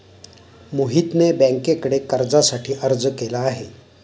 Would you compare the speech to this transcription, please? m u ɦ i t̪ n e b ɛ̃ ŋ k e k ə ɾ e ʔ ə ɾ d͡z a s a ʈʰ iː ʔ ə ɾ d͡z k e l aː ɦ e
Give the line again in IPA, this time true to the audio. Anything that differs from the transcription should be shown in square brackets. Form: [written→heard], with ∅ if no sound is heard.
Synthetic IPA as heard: m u ɦ i t̪ n e b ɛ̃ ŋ k e k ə [ɾ→ɽ] e [ʔ→k] ə ɾ d͡z a s a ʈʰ iː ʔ ə ɾ d͡z k e l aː ɦ e